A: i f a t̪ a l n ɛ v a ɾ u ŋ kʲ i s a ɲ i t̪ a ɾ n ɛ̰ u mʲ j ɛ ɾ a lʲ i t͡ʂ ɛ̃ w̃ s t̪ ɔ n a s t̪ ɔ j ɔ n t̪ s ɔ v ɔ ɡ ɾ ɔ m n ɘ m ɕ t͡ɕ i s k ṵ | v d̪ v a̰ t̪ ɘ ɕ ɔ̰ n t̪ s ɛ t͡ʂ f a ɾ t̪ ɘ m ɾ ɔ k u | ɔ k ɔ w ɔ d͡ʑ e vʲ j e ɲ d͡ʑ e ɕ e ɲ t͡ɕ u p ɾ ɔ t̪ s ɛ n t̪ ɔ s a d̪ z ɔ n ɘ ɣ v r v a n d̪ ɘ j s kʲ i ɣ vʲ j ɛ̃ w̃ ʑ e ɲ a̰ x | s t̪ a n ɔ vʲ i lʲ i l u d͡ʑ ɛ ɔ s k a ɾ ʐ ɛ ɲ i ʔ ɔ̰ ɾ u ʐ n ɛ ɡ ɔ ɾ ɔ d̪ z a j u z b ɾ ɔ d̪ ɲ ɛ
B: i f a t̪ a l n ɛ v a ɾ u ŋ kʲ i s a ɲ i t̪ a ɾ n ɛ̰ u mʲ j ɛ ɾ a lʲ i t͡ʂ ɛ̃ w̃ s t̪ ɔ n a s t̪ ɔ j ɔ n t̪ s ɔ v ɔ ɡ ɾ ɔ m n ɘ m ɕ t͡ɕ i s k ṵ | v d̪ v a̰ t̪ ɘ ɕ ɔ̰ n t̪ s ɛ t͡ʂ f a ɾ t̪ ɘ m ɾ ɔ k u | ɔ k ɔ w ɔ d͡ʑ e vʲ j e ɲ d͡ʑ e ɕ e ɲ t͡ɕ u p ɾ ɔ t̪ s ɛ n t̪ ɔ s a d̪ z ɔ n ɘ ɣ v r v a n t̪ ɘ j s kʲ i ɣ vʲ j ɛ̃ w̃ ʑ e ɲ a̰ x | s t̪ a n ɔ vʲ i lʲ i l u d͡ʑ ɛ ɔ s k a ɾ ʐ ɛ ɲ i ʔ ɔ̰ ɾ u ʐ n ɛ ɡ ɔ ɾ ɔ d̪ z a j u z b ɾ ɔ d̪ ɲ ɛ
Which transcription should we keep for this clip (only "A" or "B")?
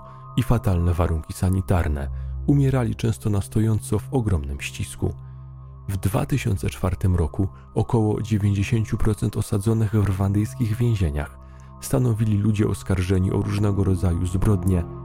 A